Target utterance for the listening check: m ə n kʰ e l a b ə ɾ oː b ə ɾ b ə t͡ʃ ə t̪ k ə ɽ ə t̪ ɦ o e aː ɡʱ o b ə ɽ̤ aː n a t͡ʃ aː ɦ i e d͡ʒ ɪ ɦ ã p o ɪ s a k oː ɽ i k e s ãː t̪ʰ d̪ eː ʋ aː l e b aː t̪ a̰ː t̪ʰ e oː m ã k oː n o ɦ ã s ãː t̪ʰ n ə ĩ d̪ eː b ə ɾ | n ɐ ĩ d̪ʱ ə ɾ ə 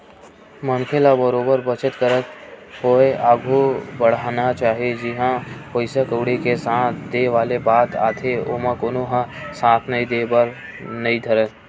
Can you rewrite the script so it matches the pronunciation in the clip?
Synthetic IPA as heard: m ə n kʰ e l a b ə ɾ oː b ə ɾ b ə t͡ʃ ə t̪ k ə ɾ ə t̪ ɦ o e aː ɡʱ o b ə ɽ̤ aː n a t͡ʃ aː ɦ i e d͡ʒ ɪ ɦ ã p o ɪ s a k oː ɽ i k e s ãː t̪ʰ d̪ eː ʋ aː l e b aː t̪ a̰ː t̪ʰ e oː m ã k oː n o ɦ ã s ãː t̪ʰ n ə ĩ d̪ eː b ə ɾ | n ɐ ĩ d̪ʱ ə ɾ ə